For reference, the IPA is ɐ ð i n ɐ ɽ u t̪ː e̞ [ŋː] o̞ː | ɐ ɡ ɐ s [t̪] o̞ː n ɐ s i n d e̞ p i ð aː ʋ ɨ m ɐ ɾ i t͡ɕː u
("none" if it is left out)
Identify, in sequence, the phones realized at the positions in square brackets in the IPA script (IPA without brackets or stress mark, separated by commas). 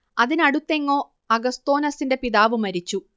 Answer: ŋː, t̪